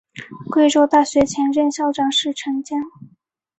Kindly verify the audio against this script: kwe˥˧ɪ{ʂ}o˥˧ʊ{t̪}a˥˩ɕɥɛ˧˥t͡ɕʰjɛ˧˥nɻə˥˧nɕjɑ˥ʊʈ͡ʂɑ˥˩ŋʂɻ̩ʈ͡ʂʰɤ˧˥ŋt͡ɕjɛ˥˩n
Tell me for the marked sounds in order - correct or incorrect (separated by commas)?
incorrect, correct